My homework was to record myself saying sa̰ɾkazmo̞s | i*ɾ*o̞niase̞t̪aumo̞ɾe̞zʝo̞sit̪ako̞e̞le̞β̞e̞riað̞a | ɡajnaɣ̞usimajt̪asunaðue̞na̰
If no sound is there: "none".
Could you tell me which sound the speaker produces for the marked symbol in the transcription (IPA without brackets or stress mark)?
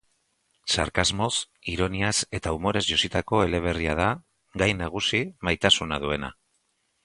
ɾ